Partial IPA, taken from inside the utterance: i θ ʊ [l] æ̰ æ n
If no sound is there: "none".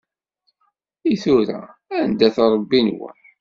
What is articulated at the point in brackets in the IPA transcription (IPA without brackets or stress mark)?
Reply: ɾ